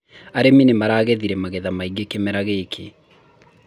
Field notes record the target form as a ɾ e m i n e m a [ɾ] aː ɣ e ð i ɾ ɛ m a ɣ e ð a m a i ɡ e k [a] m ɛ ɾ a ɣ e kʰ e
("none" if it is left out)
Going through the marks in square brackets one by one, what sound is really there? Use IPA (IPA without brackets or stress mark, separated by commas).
ɾ, e